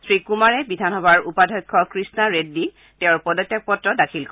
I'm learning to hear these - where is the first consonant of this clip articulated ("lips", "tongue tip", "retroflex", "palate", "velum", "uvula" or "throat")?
tongue tip